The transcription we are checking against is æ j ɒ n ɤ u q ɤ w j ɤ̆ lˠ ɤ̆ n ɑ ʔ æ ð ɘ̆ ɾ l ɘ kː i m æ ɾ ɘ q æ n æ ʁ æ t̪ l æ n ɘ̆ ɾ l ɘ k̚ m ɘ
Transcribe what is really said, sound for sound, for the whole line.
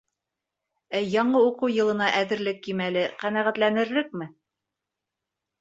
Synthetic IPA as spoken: æ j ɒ ɴ ɤ u q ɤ w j ɤ̆ lˠ ɤ̆ n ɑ ʔ æ ð ɘ̆ ɾ l ɘ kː i m æ l ɘ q æ n æ ʁ æ t̪ l æ n ɘ̆ ɾ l ɘ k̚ m ɘ